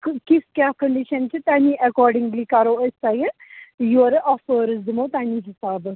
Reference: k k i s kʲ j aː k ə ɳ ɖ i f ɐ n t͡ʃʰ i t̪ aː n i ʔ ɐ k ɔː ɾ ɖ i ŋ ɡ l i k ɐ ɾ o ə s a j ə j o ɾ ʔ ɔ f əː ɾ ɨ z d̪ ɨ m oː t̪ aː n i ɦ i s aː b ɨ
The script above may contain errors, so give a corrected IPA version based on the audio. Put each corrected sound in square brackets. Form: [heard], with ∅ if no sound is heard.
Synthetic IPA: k k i s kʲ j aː k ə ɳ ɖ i [ʃ] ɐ n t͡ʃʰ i t̪ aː n i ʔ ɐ k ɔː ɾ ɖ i ŋ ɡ l i k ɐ ɾ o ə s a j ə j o ɾ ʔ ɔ f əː ɾ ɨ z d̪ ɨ m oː t̪ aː n i ɦ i s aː b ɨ